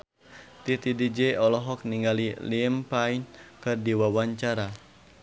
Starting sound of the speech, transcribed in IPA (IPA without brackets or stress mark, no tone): t̪